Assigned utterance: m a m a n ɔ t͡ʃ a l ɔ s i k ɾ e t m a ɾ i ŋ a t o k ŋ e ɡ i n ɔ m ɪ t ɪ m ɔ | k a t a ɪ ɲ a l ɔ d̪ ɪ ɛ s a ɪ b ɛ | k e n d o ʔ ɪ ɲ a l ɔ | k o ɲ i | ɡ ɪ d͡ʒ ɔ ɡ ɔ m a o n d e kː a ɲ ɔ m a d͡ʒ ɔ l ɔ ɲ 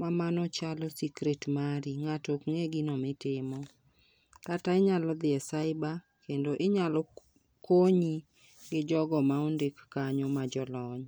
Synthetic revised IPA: m a m a n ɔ t͡ʃ a l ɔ s i k ɾ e t m a ɾ i ŋ a t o k ŋ e ɡ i n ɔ m ɪ t ɪ m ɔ | k a t a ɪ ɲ a l ɔ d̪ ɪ ɛ s a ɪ b a | k e n d o ʔ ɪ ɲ a l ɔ | k o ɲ i | ɡ ɪ d͡ʒ ɔ ɡ ɔ m a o n d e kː a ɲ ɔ m a d͡ʒ ɔ l ɔ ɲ